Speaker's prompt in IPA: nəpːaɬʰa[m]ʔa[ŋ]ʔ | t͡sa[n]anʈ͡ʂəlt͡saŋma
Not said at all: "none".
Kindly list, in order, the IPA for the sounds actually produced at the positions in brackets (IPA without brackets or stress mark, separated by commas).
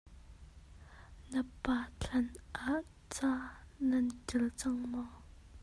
n, none, n